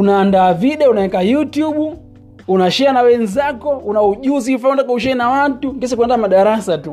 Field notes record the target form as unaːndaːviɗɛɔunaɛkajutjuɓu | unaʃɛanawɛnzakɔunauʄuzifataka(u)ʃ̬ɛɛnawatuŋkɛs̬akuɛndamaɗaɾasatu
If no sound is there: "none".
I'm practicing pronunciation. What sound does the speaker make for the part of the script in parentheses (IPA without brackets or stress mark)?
u